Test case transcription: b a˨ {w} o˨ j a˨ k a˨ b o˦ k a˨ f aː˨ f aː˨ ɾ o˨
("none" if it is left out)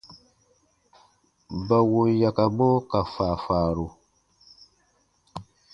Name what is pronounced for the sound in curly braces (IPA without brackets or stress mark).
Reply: w